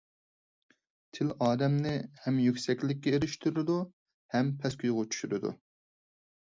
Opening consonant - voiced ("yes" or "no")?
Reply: no